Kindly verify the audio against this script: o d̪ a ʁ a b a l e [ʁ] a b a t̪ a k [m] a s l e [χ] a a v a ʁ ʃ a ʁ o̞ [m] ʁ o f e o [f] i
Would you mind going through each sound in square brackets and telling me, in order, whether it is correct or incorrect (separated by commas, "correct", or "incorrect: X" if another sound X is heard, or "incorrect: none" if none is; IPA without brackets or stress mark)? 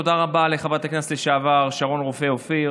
incorrect: χ, incorrect: n, incorrect: ʃ, incorrect: n, correct